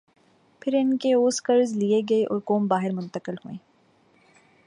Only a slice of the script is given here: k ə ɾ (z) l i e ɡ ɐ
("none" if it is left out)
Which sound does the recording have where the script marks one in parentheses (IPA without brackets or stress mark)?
z